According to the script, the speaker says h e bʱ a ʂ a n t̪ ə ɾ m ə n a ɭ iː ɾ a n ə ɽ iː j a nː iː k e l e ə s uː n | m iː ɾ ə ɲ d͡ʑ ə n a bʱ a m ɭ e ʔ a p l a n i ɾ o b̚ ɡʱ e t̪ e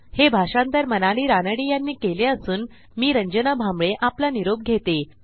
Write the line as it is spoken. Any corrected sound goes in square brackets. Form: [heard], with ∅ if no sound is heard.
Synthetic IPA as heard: h e bʱ a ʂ a n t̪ ə ɾ m ə n a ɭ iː ɾ a n ə ɽ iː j a nː iː k e l e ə s uː n | m iː ɾ ə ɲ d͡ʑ ə n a bʱ a m ɭ e ʔ a p l a n i ɾ o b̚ ɡʱ e t̪ e